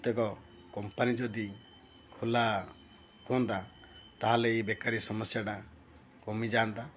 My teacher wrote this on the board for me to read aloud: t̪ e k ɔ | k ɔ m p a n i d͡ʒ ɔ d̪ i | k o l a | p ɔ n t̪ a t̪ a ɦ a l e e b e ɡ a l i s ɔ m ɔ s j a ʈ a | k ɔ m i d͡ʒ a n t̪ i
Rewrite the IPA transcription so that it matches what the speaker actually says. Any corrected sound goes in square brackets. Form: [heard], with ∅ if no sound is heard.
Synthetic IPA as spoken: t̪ e k ɔ | k ɔ m p a n i d͡ʒ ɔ d̪ i | [kʰ] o l a | [k] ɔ n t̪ a t̪ a ɦ a l e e b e [k] a [ɾ] i s ɔ m ɔ s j a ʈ a | k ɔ m i d͡ʒ a n t̪ [a]